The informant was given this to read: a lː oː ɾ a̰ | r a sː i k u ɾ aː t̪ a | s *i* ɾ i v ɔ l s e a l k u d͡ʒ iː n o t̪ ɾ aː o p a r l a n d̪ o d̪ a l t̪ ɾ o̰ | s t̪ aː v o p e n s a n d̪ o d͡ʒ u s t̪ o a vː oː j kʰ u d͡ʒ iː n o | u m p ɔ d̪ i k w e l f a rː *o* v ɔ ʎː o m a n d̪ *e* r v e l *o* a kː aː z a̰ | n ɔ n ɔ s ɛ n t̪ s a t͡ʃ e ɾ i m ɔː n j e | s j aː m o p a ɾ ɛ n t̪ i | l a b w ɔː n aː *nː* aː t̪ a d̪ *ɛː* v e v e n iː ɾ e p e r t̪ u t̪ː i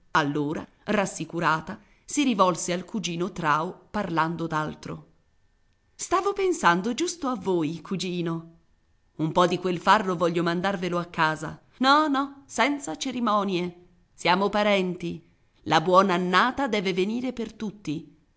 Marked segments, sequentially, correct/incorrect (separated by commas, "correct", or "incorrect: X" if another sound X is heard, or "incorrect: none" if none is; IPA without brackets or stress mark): correct, correct, incorrect: a, correct, correct, correct